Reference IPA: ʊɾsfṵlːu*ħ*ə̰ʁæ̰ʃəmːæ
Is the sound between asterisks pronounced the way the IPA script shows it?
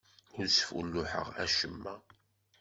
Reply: yes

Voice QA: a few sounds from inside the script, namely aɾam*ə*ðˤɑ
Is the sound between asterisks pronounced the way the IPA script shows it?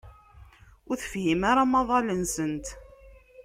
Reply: no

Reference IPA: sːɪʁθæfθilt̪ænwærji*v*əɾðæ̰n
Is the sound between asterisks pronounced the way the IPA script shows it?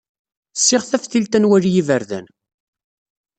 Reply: yes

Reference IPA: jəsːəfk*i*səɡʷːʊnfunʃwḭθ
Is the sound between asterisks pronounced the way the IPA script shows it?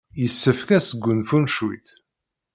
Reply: no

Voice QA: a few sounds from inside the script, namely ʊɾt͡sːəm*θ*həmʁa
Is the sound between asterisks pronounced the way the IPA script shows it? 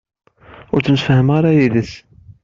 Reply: no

